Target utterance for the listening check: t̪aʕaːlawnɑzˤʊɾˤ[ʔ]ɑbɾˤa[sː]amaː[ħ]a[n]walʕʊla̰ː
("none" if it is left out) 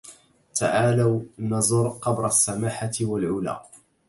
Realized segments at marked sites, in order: q, sː, ħ, none

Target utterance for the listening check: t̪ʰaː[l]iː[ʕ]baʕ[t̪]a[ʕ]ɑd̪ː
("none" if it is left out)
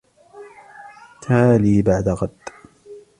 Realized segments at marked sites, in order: l, none, d̪, ɣ

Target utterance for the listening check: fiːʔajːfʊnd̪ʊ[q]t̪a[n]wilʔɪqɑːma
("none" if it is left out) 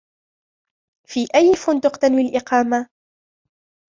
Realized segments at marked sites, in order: q, n

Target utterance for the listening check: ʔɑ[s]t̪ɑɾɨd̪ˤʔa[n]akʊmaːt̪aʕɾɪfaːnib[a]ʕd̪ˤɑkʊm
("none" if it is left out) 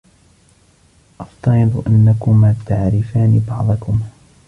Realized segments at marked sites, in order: f, nː, ɑ

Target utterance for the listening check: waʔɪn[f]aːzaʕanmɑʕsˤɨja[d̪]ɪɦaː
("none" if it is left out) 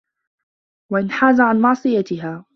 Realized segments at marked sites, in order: ħ, t̪

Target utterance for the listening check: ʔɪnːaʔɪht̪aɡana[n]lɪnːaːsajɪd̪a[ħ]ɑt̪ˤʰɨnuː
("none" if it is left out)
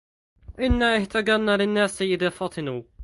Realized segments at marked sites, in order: none, f

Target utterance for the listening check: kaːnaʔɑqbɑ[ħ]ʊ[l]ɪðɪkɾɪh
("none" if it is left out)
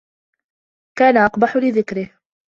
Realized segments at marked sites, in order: ħ, l

